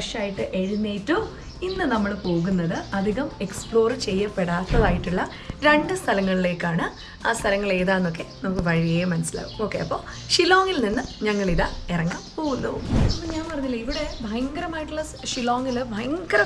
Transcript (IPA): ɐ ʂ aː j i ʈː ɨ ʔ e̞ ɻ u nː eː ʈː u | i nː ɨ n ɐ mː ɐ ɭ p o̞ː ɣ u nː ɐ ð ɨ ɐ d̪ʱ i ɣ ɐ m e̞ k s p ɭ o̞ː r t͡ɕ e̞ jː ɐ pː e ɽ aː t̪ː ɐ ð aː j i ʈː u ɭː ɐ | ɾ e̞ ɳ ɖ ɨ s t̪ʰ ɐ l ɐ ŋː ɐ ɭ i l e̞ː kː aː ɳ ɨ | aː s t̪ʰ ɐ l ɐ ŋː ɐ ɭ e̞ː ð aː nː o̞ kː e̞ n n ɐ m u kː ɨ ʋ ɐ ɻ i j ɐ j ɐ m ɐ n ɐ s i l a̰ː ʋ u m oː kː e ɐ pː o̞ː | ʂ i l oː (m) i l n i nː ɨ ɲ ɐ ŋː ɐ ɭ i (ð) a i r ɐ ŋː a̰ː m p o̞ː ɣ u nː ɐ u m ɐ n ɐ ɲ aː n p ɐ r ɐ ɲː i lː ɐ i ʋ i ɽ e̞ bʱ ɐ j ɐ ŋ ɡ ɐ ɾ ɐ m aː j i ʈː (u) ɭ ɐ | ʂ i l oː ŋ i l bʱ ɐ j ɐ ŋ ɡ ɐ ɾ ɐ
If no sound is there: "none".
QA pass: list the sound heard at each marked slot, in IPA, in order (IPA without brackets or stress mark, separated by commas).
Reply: ŋ, ð, u